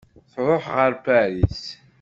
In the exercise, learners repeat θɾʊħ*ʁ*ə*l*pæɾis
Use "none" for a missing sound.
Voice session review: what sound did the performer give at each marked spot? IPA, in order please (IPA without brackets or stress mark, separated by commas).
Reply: ʁ, ɾ